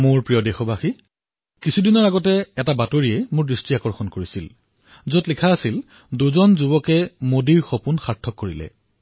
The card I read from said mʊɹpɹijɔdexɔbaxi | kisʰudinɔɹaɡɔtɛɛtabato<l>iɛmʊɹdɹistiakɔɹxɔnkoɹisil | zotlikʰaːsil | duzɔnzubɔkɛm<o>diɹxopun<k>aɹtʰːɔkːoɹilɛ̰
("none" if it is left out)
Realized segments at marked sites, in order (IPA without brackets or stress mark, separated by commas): ɹ, o, x